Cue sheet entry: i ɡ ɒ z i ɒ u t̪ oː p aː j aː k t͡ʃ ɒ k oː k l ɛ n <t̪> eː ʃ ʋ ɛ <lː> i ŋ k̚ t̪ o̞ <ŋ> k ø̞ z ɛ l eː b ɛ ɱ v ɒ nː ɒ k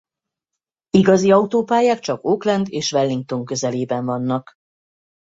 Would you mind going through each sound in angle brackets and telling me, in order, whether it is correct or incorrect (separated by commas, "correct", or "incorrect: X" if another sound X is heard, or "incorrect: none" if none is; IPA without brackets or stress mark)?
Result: incorrect: d̪, correct, correct